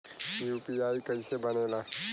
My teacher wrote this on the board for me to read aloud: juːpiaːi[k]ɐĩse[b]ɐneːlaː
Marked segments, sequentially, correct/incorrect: correct, correct

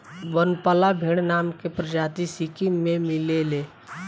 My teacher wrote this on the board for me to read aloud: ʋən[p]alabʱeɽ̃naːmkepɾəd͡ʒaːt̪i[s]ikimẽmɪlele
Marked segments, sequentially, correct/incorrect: correct, correct

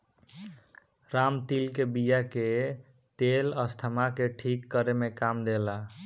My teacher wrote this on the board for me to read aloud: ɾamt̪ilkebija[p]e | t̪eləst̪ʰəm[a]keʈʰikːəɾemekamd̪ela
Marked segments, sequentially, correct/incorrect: incorrect: k, correct

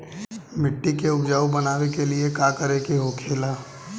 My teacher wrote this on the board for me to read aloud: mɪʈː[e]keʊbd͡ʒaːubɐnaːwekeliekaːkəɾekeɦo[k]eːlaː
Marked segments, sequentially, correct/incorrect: incorrect: i, incorrect: kʰ

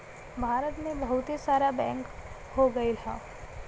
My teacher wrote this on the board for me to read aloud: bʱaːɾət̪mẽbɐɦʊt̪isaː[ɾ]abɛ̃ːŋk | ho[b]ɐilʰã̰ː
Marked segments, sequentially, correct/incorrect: correct, incorrect: ɡ

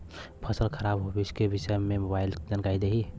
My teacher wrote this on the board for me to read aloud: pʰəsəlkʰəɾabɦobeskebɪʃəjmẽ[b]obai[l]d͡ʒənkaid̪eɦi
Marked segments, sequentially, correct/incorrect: incorrect: m, correct

